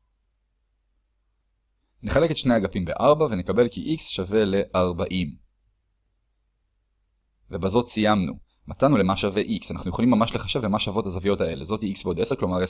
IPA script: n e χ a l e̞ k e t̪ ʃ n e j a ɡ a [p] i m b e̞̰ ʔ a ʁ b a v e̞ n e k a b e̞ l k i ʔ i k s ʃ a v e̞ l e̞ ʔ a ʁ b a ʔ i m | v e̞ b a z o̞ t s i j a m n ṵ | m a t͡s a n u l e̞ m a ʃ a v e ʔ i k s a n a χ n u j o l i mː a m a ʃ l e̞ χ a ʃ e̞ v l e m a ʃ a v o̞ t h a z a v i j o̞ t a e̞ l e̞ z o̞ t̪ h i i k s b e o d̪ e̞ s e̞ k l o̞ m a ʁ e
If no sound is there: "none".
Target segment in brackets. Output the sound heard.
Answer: p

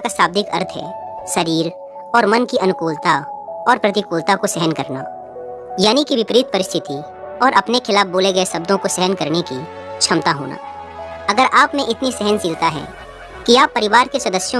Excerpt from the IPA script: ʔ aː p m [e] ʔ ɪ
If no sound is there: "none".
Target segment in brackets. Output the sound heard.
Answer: ẽ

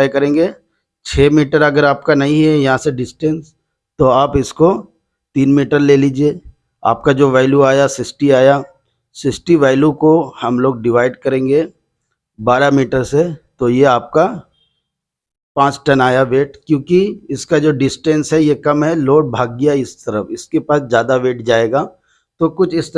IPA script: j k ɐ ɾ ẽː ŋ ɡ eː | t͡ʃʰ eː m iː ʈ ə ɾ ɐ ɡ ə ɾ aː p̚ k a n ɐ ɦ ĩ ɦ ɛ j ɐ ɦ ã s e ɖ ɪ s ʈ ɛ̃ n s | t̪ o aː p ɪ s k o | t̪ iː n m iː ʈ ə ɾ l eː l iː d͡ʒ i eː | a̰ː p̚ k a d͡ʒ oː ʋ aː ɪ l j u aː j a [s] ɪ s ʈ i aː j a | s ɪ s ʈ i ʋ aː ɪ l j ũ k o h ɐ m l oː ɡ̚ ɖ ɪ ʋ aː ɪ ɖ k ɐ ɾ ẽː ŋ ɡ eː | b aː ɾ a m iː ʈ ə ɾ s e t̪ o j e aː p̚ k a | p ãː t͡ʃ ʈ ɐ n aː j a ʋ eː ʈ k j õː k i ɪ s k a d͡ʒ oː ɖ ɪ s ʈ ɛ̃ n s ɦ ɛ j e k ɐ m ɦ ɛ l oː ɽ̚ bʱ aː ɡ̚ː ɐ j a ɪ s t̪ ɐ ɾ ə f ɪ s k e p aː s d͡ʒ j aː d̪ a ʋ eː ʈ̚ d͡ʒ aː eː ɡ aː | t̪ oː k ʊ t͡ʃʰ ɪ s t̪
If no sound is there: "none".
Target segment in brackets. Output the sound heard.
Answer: s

